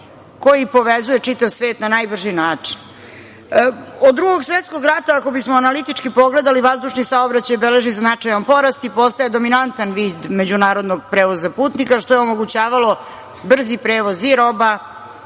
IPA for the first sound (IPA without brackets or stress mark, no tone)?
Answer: k